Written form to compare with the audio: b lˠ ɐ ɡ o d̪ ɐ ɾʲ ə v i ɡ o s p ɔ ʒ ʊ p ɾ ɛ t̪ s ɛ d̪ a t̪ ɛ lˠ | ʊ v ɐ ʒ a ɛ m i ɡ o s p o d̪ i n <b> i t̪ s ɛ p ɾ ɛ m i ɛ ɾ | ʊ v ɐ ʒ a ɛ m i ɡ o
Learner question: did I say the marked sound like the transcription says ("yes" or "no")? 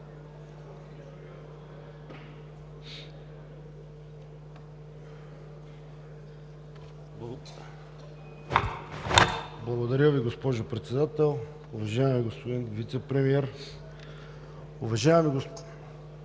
no